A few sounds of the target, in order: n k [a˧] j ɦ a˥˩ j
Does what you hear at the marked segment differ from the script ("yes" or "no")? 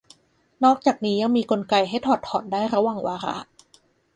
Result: no